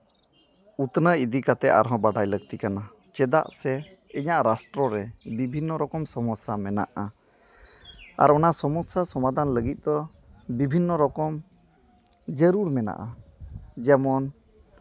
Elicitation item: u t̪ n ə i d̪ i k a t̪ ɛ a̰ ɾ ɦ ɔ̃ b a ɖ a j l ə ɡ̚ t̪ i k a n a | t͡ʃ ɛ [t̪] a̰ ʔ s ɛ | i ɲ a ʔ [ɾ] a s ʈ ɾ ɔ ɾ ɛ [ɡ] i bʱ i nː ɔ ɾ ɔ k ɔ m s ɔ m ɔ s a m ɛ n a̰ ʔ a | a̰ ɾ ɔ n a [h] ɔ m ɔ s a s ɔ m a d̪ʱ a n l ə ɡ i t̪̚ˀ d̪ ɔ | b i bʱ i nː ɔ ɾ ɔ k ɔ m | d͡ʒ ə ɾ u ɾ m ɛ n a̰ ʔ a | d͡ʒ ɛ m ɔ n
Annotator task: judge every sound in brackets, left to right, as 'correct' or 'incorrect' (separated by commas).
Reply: incorrect, correct, incorrect, incorrect